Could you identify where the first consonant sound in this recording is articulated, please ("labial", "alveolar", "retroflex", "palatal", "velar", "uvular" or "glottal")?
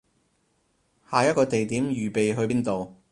glottal